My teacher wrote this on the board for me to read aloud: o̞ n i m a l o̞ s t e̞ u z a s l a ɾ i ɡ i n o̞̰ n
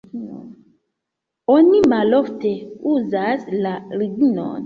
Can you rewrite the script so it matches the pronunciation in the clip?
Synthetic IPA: o̞ n i m a l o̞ f t e̞ u z a s l a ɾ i ɡ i n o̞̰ n